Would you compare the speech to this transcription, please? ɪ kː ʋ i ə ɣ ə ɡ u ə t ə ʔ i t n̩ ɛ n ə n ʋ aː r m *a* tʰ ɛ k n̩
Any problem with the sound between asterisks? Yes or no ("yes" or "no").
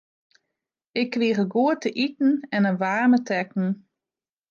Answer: yes